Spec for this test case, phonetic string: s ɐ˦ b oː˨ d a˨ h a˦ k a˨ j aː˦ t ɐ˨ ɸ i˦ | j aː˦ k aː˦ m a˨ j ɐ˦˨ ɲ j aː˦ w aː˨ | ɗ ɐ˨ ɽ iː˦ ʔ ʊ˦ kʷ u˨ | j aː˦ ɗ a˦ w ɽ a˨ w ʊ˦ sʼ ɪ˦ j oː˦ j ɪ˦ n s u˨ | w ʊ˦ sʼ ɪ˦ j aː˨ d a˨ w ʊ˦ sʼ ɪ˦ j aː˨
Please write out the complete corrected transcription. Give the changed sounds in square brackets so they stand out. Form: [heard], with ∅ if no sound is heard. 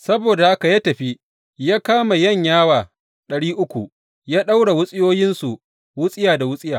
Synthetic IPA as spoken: s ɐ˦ b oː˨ d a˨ h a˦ k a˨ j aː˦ t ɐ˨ ɸ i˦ | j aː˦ k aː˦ m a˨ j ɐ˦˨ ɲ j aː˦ w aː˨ | ɗ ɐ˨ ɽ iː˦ ʔ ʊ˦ kʷ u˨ | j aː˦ ɗ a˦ w ɽ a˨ w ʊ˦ sʼ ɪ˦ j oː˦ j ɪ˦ n s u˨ | w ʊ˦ sʼ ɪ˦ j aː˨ d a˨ w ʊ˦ sʼ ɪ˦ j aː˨